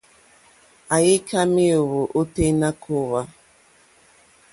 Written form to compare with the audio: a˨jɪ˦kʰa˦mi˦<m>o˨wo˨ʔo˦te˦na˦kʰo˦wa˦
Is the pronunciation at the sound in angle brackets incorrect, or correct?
incorrect